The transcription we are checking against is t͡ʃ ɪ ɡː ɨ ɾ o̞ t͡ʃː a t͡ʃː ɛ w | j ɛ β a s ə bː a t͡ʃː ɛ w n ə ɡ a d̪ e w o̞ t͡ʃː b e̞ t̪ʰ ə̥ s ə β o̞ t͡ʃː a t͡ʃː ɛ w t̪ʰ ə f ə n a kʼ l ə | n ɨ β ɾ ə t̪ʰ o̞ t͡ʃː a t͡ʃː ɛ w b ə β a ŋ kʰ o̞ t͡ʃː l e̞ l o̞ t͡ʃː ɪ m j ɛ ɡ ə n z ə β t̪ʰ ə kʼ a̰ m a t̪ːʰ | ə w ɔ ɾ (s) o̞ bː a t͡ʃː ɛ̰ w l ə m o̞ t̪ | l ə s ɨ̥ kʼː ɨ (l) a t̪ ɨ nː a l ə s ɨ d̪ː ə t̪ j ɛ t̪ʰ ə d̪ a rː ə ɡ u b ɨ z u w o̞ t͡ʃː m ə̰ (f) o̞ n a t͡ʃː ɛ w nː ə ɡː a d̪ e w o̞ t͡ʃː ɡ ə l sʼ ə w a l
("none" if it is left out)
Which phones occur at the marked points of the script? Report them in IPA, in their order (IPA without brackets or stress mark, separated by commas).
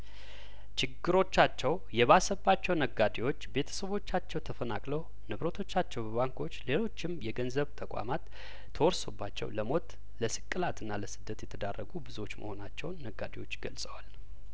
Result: s, l, h